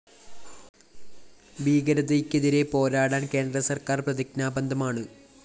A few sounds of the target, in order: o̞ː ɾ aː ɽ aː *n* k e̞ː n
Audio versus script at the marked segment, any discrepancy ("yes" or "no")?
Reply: no